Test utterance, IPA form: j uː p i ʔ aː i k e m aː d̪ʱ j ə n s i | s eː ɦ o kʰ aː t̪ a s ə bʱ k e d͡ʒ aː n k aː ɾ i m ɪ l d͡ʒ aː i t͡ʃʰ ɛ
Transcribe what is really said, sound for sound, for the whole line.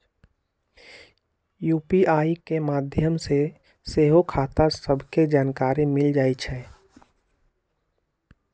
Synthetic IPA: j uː p i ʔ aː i k e m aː d̪ʱ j ə m s e | s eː ɦ o kʰ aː t̪ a s ə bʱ k e d͡ʒ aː n k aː ɾ i m ɪ l d͡ʒ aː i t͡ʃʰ ɛ

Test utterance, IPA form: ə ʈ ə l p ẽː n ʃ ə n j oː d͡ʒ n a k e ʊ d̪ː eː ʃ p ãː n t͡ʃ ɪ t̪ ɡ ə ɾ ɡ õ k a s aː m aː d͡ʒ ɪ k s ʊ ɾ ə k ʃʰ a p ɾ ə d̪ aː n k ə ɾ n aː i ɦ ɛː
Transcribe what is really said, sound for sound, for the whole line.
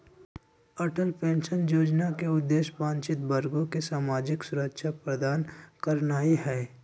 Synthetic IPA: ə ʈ ə l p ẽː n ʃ ə n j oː d͡ʒ n a k e ʊ d̪ː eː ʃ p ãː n t͡ʃ ɪ t̪ b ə ɾ ɡ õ k e s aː m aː d͡ʒ ɪ k s ʊ ɾ ə k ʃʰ a p ɾ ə d̪ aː n k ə ɾ n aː i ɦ ɛː

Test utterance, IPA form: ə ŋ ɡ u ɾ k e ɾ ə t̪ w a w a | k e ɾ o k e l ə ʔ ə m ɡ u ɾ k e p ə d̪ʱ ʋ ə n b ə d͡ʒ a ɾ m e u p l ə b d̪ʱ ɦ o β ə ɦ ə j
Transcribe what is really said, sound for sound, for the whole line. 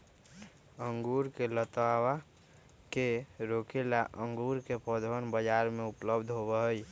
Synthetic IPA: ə ŋ ɡ u ɾ k e l ə t̪ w a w a | k e ɾ o k e l a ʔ ə ŋ ɡ u ɾ k e p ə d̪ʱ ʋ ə n b ə d͡ʒ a ɾ m e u p l ə b d̪ʱ ɦ o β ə ɦ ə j

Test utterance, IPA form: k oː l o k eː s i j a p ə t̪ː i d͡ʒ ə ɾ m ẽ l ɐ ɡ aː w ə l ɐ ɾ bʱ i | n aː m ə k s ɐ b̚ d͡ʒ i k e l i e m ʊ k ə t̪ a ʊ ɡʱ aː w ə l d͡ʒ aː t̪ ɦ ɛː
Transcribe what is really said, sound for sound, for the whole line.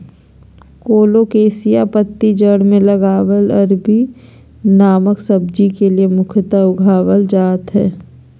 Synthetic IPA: k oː l o k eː s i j a p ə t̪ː i d͡ʒ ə ɽ m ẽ l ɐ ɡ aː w ə l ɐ ɾ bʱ i | n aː m ə k s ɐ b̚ d͡ʒ i k e l i e m ʊ kʰ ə t̪ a ʊ ɡʱ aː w ə l d͡ʒ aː t̪ ɦ ɛː

